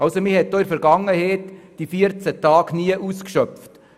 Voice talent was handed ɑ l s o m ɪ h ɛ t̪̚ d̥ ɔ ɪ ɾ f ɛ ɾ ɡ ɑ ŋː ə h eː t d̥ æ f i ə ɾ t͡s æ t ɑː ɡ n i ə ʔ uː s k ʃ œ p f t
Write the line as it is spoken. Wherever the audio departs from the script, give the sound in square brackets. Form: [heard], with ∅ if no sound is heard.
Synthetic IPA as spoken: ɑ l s o m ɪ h ɛ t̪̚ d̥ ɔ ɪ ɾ f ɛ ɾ ɡ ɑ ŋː ə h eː t d̥ [i] f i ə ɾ t͡s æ t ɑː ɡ n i ə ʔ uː s k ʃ œ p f t